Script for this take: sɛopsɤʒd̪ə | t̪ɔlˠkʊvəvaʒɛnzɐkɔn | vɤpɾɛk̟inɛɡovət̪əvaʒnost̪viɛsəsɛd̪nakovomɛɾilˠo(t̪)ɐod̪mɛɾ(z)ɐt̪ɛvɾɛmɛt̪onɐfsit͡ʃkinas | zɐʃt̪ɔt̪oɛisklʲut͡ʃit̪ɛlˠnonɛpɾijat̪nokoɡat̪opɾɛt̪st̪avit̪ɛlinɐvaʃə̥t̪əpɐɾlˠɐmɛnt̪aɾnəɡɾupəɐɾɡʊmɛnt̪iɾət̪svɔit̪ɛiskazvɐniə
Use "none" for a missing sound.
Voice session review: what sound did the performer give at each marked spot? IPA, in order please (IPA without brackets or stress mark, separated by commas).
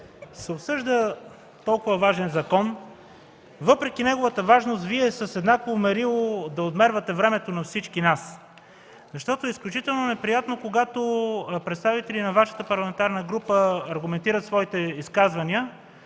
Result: d̪, v